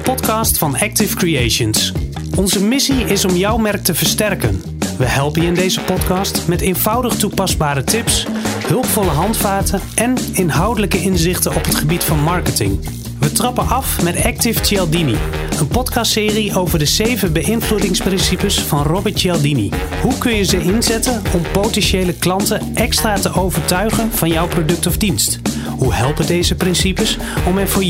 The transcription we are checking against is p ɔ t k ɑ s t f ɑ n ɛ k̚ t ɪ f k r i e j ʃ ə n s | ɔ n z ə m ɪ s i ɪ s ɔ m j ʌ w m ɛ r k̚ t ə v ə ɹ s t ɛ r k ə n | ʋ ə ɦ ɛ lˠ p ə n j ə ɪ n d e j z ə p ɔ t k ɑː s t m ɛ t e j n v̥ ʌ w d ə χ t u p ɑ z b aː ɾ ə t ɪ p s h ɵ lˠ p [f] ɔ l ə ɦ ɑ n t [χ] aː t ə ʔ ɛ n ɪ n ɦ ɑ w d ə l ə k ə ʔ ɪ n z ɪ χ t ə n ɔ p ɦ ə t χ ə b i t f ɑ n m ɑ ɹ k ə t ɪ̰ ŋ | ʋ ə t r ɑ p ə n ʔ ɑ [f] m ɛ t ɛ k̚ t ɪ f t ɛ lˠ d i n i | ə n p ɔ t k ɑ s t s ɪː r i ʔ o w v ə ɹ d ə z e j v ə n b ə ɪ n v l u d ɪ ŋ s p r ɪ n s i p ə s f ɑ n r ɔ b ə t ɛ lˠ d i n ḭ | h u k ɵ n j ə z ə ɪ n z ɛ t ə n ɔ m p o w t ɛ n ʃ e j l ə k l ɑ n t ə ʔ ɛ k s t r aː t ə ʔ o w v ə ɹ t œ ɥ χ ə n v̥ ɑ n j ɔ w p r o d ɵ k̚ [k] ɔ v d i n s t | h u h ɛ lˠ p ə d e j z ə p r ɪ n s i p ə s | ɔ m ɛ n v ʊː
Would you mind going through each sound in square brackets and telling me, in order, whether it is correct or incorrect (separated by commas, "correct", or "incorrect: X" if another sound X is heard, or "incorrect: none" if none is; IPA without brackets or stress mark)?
correct, incorrect: f, correct, incorrect: t